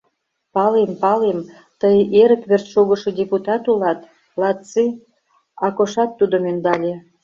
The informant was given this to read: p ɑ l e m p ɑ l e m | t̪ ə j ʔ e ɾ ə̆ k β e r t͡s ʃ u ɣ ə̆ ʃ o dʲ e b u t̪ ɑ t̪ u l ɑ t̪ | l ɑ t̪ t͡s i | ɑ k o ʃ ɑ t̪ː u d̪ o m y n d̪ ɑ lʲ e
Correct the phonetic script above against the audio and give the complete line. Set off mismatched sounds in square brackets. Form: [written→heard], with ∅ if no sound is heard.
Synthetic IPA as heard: p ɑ l e m p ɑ l e m | t̪ ə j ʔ e ɾ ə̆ k β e r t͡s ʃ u ɣ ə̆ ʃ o dʲ e [b→p] u t̪ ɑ t̪ u l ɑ t̪ | l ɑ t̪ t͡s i | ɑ k o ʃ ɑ t̪ː u d̪ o m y n d̪ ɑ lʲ e

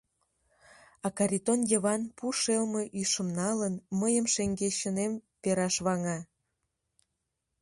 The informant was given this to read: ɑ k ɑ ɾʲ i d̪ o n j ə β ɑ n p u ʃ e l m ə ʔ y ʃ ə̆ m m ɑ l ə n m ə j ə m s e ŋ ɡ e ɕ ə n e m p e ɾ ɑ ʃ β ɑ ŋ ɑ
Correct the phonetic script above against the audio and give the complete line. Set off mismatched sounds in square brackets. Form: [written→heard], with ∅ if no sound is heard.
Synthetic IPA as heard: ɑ k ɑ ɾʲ i [d̪→t̪] o n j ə β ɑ n p u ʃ e l m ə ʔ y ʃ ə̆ m [m→n] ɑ l ə n m ə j ə m [s→ʃ] e ŋ ɡ e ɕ ə n e m p e ɾ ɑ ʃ β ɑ ŋ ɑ

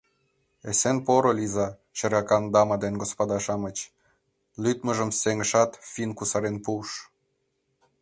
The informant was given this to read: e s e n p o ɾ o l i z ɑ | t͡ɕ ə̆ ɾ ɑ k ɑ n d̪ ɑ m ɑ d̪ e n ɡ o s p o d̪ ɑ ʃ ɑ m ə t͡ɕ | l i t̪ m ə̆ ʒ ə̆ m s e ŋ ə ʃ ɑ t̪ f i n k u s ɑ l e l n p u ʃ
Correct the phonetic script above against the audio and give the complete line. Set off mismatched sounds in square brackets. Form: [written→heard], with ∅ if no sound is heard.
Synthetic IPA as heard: e s e n p o ɾ o l i z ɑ | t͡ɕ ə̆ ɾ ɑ k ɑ n d̪ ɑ m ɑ d̪ e n ɡ o s p o d̪ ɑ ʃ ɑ m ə t͡ɕ | l [i→y] t̪ m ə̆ ʒ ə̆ m s e ŋ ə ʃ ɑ t̪ f i n k u s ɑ [l→ɾ] e [l→∅] n p u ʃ

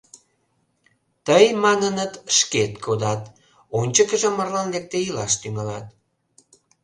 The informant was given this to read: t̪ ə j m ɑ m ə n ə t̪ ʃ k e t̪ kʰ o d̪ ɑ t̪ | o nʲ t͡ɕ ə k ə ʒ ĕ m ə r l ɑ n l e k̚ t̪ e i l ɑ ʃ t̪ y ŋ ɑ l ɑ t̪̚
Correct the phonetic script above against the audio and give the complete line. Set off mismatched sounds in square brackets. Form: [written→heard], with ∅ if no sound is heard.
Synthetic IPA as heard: t̪ ə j m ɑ [m→n] ə n ə t̪ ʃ k e t̪ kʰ o d̪ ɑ t̪ | o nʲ t͡ɕ ə k ə ʒ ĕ m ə r l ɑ n l e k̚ t̪ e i l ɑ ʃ t̪ y ŋ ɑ l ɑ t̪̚

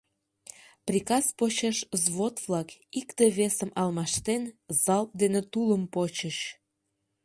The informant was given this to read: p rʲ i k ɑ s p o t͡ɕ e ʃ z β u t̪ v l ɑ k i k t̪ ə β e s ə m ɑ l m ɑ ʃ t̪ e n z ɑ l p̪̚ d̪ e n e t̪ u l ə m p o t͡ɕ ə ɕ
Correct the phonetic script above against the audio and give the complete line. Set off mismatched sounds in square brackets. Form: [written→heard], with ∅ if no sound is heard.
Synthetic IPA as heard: p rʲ i k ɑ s p o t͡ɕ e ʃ z β [u→o] t̪ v l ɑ k i k t̪ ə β e s ə m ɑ l m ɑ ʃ t̪ e n z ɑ l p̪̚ d̪ e n e t̪ u l ə m p o t͡ɕ ə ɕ

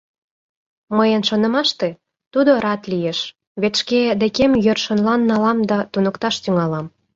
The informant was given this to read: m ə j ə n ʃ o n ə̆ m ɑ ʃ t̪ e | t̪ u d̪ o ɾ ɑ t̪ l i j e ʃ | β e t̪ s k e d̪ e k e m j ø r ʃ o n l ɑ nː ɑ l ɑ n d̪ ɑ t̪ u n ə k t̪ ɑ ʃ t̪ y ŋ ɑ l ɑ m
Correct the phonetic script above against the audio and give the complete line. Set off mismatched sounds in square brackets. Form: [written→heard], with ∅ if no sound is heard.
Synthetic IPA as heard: m ə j ə n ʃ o n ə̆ m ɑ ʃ t̪ e | t̪ u d̪ o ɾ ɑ t̪ l i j e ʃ | β e t̪ [s→ʃ] k e d̪ e k e m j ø r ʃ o n l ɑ nː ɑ l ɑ [n→m] d̪ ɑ t̪ u n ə k t̪ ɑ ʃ t̪ y ŋ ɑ l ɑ m

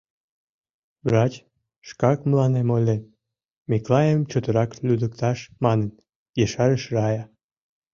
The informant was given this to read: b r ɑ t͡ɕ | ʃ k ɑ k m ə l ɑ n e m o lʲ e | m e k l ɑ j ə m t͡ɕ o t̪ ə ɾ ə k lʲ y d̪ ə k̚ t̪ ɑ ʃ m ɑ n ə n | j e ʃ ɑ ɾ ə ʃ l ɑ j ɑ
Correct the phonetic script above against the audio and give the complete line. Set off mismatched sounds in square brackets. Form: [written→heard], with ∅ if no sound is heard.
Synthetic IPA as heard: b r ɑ t͡ɕ | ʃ k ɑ k m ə l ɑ n e m o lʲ e | m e k l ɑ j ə m t͡ɕ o t̪ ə ɾ [ə→ɑ] k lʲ y d̪ ə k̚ t̪ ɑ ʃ m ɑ n ə n | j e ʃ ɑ ɾ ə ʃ [l→r] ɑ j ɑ

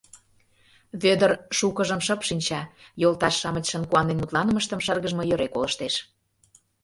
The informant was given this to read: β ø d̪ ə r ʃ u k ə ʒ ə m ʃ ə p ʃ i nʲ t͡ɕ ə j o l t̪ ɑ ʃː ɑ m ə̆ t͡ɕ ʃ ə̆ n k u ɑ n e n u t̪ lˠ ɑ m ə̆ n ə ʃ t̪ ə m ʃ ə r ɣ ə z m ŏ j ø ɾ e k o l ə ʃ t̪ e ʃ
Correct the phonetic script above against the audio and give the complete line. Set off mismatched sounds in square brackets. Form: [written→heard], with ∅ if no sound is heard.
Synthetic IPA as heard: β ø d̪ ə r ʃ u k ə ʒ ə m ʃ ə p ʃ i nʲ t͡ɕ [ə→ɑ] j o l t̪ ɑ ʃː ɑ m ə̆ t͡ɕ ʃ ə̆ n k u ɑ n e n u t̪ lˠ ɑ [m→n] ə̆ [n→m] ə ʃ t̪ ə m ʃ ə r ɣ ə [z→ʒ] m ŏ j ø ɾ e k o l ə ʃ t̪ e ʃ

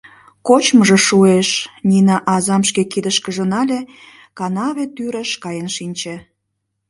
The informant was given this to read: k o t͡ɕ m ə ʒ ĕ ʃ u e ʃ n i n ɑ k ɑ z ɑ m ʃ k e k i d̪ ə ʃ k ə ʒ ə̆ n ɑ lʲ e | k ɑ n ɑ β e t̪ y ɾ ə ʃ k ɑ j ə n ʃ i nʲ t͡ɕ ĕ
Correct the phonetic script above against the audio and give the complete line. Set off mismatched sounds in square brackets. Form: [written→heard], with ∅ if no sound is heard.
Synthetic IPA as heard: k o t͡ɕ m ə ʒ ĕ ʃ u e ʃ n i n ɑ [k→ʔ] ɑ z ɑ m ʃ k e k i d̪ ə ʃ k ə ʒ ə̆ n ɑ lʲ e | k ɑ n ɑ β e t̪ y ɾ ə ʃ k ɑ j ə n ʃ i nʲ t͡ɕ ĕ

